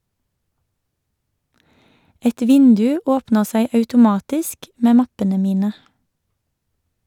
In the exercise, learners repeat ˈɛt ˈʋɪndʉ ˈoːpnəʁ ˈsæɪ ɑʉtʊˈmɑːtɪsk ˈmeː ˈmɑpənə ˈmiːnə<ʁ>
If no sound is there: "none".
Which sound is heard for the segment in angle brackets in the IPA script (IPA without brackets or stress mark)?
none